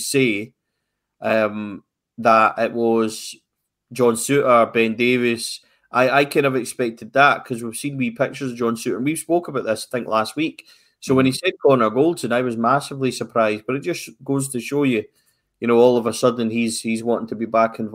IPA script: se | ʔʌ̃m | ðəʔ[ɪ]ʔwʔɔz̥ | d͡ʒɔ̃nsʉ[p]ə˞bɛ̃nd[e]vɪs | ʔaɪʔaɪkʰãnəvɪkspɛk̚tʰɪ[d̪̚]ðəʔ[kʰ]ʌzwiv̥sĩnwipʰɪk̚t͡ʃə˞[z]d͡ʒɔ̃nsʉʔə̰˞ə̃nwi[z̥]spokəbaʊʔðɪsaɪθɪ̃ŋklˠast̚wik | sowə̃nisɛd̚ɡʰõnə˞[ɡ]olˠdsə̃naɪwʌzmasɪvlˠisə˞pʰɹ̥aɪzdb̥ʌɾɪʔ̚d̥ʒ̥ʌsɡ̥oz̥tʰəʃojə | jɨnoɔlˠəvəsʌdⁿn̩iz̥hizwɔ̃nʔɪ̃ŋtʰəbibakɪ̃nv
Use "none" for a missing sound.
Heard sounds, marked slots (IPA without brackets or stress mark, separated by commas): ɪ, ʔ, e, d̪̚, kʰ, z, v̥, ɡ